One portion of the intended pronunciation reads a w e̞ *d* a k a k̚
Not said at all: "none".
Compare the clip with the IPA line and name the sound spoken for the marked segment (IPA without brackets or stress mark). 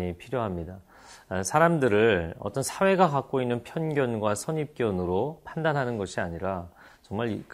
ɡ